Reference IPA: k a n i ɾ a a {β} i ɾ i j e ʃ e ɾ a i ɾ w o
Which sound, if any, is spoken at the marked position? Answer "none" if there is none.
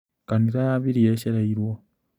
β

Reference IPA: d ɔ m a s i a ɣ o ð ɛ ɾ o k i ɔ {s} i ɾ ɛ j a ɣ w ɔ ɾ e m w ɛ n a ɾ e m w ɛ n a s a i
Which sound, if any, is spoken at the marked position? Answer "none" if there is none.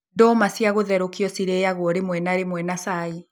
s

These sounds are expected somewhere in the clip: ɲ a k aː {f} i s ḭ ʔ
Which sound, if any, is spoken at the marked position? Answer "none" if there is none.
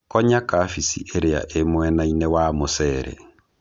f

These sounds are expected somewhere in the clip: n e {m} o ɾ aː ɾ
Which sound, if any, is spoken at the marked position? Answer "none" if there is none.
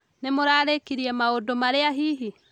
m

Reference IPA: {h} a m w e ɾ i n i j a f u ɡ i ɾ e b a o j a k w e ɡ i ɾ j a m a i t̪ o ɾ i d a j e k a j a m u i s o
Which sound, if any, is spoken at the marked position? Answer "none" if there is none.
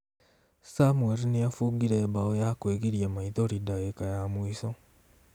s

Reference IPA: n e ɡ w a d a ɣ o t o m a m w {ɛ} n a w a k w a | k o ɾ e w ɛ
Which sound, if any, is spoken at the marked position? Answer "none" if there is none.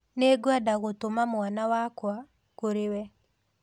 a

